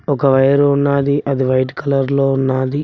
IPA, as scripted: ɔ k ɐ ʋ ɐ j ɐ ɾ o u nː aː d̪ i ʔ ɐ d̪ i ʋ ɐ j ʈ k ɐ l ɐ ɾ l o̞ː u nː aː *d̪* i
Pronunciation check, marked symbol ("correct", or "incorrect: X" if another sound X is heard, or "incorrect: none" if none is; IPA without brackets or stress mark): correct